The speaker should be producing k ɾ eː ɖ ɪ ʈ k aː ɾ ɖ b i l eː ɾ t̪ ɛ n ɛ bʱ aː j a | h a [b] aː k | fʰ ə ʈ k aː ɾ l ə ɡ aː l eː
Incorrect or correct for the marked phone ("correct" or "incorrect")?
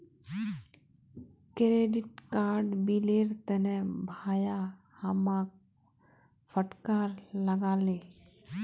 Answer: incorrect